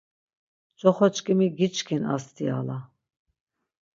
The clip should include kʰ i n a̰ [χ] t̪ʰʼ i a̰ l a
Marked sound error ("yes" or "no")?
yes